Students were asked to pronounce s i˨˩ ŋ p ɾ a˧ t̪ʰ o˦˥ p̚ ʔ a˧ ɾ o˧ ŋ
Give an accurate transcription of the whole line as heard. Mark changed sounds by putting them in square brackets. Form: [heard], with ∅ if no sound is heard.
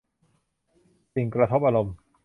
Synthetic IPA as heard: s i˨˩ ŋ [k] ɾ a˧ t̪ʰ o˦˥ p̚ ʔ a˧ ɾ o˧ [m]